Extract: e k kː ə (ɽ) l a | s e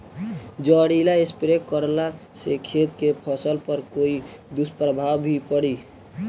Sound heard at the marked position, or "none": ɾ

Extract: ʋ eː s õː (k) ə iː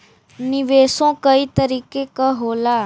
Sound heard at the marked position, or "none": k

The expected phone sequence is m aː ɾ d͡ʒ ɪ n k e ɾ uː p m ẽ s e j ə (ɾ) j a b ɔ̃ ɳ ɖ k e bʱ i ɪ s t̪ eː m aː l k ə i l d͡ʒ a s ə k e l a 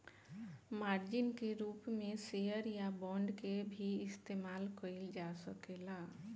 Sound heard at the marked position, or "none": ɾ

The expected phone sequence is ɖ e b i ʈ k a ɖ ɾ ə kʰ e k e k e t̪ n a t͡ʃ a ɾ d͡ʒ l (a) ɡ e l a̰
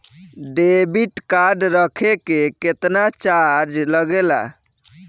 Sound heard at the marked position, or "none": ə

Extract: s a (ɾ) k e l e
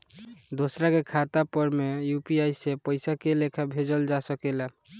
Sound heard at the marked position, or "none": none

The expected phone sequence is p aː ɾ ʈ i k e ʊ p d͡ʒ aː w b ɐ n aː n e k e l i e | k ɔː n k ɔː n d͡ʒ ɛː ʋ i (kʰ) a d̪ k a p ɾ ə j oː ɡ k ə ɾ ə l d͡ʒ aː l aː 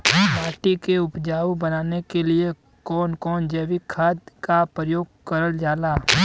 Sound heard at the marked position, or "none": kʰ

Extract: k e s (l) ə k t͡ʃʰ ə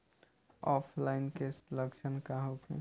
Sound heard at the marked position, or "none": l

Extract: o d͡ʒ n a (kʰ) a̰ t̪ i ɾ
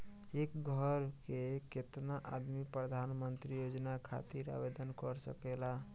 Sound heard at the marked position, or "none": kʰ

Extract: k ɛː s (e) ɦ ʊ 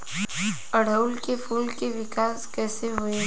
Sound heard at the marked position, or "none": e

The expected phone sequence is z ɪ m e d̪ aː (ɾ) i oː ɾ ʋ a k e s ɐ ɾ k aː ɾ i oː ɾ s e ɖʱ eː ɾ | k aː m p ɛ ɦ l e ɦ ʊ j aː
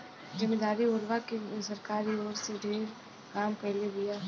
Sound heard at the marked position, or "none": ɾ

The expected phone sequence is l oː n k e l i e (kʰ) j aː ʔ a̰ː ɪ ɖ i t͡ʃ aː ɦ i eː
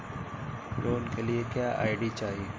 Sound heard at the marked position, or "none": k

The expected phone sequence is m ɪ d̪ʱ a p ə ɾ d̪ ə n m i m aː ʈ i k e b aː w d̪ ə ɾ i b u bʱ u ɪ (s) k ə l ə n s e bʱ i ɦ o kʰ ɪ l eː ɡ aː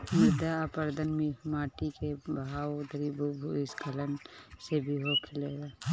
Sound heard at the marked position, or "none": s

